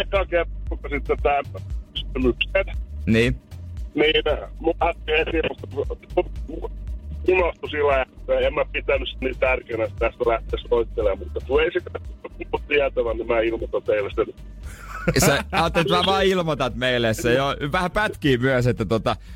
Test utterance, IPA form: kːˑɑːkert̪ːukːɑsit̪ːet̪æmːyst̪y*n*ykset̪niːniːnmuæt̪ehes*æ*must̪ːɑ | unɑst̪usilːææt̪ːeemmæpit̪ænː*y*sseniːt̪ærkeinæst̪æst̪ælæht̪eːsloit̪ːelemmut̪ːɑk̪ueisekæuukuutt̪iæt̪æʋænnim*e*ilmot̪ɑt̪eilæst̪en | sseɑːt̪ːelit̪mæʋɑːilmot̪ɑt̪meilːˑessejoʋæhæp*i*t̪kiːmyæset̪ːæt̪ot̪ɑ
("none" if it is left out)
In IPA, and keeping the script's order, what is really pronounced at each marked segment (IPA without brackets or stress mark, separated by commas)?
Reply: m, i, y, æ, æ